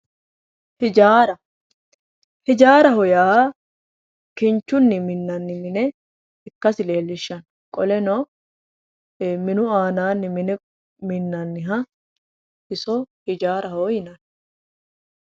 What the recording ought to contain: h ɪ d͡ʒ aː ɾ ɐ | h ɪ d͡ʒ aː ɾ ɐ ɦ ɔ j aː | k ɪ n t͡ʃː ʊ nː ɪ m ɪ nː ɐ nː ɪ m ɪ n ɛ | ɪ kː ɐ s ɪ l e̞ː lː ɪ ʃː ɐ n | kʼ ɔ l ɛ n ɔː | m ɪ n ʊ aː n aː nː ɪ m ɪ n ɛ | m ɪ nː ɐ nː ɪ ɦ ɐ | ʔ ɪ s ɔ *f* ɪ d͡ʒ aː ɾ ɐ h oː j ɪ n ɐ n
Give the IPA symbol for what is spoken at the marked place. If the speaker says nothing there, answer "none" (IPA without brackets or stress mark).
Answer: h